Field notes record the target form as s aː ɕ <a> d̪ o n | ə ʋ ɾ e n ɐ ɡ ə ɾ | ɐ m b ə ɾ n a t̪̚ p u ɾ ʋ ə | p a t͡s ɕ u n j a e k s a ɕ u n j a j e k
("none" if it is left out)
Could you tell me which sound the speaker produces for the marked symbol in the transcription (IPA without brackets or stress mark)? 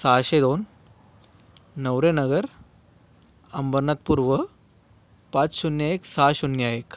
e